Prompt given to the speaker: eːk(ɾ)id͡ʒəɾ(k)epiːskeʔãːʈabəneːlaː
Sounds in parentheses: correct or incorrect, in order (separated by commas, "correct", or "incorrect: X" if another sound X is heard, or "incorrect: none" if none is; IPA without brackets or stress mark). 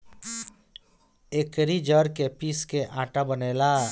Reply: correct, correct